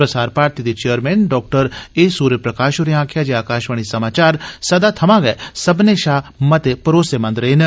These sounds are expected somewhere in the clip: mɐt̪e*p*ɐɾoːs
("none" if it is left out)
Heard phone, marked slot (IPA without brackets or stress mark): p